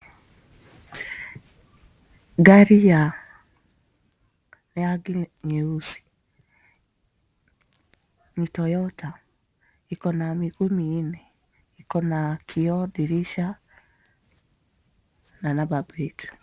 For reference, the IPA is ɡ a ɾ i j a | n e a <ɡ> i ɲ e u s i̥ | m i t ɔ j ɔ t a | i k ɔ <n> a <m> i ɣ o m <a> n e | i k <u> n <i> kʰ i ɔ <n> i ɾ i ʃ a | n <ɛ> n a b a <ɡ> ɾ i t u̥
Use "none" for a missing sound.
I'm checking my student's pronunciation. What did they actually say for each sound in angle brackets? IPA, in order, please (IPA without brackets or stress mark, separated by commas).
ɡ, n, m, i, ɔ, a, d, a, b